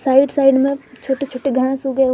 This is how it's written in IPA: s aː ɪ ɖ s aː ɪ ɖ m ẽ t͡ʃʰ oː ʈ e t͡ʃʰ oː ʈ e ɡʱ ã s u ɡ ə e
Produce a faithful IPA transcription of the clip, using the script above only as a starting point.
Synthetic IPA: s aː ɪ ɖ s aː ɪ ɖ m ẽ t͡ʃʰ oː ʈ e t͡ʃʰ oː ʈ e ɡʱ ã s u ɡ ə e